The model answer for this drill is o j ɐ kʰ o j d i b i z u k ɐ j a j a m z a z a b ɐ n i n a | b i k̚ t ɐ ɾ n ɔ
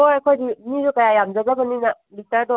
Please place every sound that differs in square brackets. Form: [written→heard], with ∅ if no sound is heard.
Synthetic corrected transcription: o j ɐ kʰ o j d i [b→m] i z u k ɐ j a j a m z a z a b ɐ n i n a | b i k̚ t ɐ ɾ [n→d] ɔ